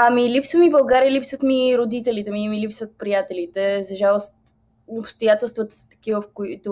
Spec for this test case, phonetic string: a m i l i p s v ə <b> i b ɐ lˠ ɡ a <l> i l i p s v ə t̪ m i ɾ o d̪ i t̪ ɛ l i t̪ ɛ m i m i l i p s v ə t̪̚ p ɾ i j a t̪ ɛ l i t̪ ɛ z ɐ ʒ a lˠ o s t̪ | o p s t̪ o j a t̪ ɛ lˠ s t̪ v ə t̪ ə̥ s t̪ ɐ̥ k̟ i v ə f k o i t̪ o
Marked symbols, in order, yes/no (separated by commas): no, no